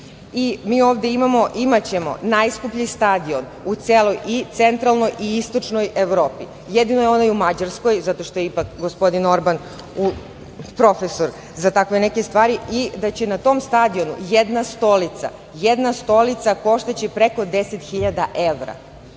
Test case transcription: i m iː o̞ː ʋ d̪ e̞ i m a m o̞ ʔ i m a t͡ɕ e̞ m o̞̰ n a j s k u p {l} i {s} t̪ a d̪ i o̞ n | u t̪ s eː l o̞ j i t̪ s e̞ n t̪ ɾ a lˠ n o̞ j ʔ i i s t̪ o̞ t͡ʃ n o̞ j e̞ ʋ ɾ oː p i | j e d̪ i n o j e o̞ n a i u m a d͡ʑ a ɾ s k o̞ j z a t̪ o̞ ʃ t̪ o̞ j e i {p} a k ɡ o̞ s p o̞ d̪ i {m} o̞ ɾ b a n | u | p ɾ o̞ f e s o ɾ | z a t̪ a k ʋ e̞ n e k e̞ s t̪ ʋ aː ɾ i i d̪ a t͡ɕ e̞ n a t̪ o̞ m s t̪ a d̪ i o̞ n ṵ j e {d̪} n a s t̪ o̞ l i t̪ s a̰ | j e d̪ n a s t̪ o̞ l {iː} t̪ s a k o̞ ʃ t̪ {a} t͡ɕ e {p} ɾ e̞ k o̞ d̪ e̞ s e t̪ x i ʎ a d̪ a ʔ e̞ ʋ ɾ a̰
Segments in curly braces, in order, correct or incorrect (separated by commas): incorrect, correct, correct, incorrect, correct, incorrect, correct, correct